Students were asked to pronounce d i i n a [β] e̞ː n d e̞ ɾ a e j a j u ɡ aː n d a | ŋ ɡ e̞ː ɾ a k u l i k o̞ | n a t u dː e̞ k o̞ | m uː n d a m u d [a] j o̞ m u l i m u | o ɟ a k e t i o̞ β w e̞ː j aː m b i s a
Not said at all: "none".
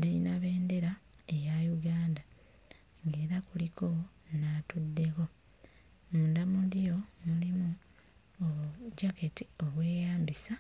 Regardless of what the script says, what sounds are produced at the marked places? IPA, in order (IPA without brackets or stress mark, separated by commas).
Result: β, i